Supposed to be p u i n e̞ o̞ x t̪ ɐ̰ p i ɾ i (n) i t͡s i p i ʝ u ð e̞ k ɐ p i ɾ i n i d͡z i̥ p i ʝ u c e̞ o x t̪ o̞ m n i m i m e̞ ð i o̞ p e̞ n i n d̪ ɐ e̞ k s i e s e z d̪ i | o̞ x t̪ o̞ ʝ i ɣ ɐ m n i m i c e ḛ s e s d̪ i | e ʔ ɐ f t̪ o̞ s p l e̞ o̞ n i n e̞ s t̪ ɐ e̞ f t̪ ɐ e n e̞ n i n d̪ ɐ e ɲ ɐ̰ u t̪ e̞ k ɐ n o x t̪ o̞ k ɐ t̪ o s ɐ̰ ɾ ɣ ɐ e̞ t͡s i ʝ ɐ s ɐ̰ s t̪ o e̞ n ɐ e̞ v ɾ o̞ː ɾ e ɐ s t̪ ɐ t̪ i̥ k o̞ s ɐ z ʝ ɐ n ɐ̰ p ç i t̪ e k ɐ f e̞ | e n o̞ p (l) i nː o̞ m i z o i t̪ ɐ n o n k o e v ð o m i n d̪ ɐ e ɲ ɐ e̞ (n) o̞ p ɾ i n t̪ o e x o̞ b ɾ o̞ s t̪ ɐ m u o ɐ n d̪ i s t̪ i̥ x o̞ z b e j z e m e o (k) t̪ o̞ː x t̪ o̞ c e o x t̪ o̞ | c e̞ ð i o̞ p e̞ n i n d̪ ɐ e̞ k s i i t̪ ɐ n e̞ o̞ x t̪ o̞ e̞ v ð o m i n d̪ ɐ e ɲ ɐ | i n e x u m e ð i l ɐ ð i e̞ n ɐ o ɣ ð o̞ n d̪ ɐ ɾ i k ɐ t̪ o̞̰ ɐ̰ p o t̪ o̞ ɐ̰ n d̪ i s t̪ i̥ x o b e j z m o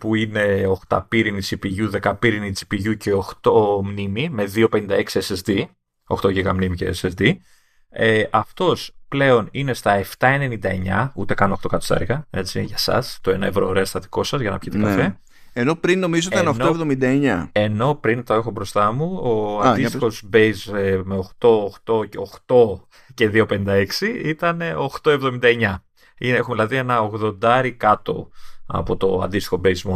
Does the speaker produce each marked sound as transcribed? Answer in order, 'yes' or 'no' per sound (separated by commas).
yes, no, yes, no